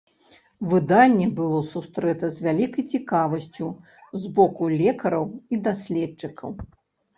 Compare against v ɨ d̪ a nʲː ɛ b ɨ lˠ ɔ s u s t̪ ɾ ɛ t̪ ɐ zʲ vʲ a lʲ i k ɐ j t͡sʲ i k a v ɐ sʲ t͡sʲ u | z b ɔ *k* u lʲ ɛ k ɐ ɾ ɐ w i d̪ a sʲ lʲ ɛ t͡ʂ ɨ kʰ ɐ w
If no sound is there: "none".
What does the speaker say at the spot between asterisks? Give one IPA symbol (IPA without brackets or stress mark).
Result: k